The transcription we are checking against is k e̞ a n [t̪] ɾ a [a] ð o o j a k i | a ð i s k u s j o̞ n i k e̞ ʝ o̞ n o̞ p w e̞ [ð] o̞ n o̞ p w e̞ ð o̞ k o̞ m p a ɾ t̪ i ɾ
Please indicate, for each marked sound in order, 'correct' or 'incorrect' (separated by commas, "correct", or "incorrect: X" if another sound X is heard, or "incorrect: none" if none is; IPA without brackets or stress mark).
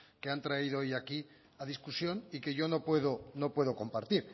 correct, incorrect: i, correct